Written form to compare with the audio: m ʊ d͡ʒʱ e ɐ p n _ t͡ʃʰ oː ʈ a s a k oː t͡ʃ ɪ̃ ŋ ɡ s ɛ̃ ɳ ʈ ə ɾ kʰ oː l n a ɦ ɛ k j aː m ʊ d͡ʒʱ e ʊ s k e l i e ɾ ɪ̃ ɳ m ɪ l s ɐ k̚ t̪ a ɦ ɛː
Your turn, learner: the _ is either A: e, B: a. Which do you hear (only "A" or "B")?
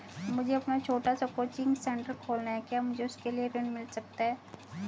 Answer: B